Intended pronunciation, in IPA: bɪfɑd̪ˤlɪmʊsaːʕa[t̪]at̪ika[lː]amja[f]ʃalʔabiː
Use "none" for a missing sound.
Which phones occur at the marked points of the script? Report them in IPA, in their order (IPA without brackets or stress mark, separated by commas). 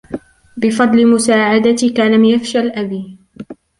d̪, l, f